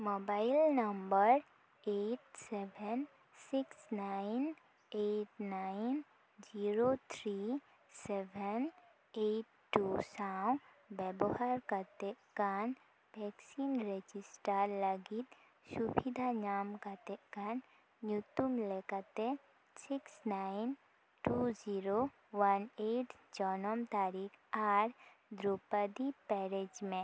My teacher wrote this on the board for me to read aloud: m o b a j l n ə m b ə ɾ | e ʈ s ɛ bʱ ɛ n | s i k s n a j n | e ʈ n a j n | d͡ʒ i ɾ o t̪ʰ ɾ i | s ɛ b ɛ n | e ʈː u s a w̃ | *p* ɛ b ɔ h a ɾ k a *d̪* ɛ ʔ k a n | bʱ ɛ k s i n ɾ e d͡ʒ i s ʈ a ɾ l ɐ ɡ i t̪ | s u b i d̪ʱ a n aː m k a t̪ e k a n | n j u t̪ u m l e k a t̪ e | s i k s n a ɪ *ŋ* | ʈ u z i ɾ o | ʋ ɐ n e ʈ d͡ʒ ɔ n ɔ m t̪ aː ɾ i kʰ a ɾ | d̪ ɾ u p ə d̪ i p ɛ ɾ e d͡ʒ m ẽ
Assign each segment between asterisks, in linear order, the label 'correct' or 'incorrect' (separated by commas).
incorrect, incorrect, incorrect